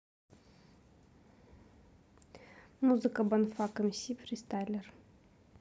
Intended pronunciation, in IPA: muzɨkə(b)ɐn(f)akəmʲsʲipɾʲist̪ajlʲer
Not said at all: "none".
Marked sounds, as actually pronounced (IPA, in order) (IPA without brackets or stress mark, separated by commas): b, f